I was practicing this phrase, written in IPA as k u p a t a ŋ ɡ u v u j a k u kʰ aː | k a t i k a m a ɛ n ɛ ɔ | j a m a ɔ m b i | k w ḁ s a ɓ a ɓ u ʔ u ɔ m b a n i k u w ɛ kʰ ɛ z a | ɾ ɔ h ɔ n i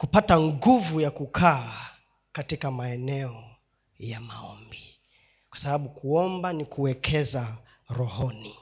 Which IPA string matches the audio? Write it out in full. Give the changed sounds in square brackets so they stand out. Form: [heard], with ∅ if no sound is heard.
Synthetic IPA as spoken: k u p a t a ŋ ɡ u v u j a k u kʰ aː | k a t i k a m a ɛ n ɛ ɔ | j a m a ɔ m b i | k w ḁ s a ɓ a ɓ u [k] u ɔ m b a n i k u w ɛ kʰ ɛ z a | ɾ ɔ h ɔ n i